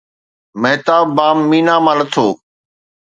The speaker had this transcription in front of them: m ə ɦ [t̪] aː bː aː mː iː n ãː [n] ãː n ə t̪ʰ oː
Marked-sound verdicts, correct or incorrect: correct, incorrect: m

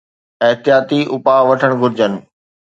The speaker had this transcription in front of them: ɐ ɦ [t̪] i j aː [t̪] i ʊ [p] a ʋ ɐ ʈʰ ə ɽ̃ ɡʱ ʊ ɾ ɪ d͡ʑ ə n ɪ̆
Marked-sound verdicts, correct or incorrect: correct, correct, correct

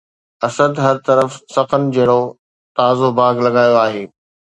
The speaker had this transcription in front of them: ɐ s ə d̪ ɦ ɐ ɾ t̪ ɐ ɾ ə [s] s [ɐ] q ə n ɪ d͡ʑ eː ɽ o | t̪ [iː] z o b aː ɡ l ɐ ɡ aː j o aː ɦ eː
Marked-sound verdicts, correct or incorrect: incorrect: f, correct, incorrect: aː

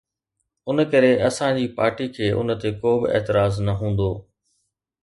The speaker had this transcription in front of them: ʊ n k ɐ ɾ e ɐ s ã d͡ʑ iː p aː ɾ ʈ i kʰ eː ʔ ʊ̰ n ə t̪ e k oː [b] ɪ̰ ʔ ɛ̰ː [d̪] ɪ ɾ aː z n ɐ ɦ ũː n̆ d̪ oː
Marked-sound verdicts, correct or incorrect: correct, incorrect: t̪

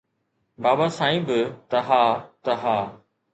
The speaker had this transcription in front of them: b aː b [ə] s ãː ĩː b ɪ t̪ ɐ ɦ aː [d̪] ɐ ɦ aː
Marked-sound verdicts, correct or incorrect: incorrect: a, incorrect: t̪

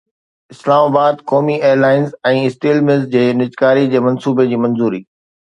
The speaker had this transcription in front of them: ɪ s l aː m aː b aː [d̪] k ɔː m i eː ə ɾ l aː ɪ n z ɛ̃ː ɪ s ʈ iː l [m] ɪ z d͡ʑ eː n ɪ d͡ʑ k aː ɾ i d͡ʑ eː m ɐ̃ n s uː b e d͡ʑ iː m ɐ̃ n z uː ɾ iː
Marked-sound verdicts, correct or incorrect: correct, correct

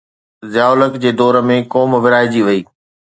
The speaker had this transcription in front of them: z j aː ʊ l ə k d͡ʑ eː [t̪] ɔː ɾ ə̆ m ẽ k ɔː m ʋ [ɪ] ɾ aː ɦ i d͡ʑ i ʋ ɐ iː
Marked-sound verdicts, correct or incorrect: incorrect: d̪, correct

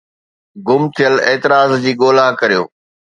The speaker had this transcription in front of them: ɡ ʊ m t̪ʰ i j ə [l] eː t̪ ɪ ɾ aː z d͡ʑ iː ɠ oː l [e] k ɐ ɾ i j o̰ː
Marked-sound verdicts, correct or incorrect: correct, incorrect: a

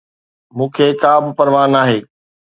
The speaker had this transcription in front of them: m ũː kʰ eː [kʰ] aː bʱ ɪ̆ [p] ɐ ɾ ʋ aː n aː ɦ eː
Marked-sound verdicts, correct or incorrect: incorrect: k, correct

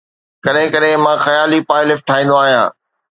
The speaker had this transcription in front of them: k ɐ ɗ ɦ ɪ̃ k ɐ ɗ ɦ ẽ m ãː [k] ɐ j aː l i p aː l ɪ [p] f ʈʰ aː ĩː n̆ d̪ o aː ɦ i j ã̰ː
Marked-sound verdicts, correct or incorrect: incorrect: x, incorrect: none

